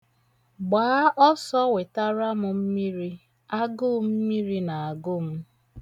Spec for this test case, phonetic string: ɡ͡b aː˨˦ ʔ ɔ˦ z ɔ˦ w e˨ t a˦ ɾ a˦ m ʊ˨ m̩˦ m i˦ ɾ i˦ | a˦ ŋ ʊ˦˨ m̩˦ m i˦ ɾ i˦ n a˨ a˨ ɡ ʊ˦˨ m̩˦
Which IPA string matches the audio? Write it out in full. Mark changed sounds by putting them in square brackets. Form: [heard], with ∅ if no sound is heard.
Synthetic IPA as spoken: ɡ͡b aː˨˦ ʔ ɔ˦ [s] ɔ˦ w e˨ t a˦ ɾ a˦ m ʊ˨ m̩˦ m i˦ ɾ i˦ | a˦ [ɡ] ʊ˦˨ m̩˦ m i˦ ɾ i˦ n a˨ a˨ ɡ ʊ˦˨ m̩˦